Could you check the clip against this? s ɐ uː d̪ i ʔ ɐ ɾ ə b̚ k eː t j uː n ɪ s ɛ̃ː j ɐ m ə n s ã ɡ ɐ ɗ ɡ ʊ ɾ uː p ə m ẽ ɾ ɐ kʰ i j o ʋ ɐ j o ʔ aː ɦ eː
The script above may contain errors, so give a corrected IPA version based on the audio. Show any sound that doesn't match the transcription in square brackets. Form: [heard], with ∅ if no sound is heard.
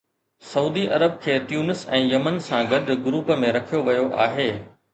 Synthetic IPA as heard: s ɐ uː d̪ i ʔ ɐ ɾ ə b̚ [kʰ] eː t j uː n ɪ s ɛ̃ː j ɐ m ə n s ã ɡ ɐ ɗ ɡ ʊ ɾ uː p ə m ẽ ɾ ɐ kʰ i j o ʋ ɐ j o ʔ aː ɦ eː